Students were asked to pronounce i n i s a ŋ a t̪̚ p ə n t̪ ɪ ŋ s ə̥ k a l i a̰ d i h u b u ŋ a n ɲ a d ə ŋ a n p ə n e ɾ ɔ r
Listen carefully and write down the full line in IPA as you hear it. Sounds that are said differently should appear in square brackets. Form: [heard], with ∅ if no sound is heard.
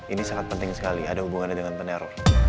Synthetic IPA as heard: i n i s a ŋ a t̪̚ p ə n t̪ ɪ ŋ s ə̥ k a l i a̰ d [a] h u b u ŋ a n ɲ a d ə ŋ a n p ə n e ɾ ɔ r